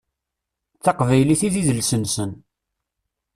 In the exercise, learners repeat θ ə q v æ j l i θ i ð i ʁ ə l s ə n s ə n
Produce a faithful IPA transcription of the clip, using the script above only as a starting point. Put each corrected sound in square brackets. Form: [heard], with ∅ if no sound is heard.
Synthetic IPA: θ [ɑ] q v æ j l i θ i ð i [ð] ə l s ə n s ə n